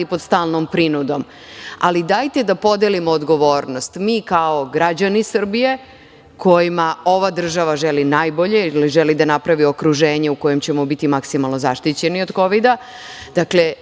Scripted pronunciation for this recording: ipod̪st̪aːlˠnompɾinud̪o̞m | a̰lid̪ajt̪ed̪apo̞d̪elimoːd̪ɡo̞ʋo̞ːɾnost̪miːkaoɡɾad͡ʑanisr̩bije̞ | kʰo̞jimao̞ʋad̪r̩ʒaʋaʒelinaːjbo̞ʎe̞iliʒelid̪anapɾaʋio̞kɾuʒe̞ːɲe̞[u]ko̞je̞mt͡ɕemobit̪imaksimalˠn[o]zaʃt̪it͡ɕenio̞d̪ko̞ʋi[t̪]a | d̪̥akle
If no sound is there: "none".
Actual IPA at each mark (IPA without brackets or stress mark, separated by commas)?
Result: u, o, d̪